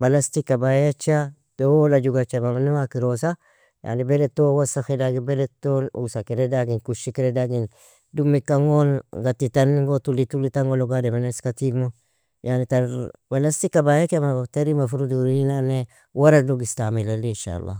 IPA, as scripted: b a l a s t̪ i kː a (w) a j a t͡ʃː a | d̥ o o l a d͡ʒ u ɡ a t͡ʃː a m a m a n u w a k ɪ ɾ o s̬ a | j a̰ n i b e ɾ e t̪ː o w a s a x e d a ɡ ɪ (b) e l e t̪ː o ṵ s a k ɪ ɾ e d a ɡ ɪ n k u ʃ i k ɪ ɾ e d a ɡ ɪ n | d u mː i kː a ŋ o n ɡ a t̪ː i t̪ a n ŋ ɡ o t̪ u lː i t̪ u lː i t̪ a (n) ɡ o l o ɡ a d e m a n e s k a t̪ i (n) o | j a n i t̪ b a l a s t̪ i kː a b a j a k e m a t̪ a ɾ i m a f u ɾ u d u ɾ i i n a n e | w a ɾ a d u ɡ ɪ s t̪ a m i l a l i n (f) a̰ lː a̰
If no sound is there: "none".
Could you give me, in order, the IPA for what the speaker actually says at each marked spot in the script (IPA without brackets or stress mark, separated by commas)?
b, b, ŋ, m, ʃ